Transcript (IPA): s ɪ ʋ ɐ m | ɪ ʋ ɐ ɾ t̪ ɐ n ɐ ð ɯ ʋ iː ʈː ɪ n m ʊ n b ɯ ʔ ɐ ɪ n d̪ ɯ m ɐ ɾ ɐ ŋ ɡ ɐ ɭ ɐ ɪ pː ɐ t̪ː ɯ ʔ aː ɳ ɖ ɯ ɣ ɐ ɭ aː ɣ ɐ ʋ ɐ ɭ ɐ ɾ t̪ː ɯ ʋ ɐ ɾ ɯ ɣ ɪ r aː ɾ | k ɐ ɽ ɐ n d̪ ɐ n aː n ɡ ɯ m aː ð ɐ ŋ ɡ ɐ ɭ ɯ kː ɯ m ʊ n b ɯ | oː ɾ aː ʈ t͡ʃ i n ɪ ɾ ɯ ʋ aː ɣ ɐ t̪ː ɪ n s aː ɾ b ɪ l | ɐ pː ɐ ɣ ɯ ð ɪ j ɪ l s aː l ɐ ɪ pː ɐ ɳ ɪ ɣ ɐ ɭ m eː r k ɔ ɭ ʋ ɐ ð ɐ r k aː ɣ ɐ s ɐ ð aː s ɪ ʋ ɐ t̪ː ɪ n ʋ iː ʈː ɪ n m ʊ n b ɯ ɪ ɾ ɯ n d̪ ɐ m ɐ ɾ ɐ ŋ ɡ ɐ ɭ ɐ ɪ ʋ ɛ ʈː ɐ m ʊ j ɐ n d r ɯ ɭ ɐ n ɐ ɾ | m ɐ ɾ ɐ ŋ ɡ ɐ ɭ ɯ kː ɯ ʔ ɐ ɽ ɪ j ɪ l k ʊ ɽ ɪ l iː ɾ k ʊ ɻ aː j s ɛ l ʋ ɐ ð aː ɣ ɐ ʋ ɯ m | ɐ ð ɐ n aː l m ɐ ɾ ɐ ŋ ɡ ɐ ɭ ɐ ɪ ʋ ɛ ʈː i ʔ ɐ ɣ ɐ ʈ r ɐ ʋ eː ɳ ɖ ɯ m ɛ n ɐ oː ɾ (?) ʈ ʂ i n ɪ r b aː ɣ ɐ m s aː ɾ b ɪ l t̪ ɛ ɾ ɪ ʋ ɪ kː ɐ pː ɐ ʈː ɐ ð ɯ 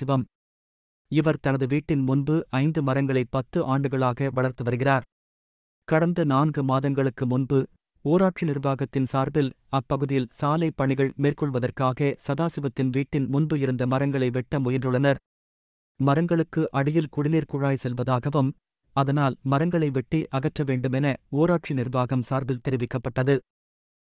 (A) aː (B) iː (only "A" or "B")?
A